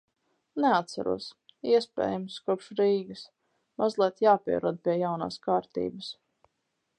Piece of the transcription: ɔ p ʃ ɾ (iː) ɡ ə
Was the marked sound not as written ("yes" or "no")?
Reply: no